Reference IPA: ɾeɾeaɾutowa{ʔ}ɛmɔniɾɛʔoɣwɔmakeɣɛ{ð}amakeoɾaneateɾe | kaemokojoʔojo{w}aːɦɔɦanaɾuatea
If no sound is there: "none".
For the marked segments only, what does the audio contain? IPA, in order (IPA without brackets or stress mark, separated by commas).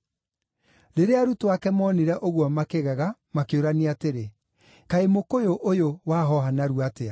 k, ɣ, w